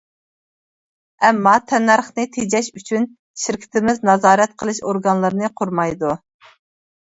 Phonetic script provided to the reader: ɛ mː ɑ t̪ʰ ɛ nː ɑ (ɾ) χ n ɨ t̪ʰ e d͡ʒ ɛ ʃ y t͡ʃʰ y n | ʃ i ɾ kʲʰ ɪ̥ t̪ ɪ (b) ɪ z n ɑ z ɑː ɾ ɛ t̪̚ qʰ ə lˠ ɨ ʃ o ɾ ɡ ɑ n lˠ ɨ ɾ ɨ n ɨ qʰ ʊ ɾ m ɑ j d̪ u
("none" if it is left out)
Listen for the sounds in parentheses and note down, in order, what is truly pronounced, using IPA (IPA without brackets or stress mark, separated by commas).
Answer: ɾ, m